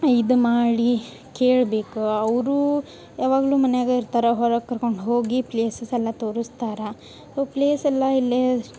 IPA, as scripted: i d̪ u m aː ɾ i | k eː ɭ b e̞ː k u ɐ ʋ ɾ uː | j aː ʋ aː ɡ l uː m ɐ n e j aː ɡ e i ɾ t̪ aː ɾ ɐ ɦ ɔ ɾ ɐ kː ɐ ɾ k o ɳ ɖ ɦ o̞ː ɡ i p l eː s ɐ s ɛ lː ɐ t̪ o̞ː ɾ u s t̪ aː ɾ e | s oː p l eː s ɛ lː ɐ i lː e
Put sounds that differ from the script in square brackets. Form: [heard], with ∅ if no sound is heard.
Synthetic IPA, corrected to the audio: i d̪ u m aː [ɽ] i | k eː ɭ b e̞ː k u ɐ ʋ ɾ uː | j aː ʋ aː ɡ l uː m ɐ n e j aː ɡ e i ɾ t̪ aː ɾ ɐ ɦ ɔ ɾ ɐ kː ɐ ɾ k o ɳ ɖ ɦ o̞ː ɡ i p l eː s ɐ s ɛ lː ɐ t̪ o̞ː ɾ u s t̪ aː ɾ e | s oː p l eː s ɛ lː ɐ i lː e